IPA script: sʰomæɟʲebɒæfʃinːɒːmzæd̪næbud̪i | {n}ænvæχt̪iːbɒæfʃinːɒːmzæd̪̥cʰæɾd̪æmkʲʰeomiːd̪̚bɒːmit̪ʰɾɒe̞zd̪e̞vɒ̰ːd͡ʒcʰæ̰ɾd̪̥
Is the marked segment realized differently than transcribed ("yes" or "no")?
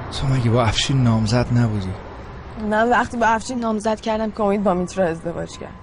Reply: yes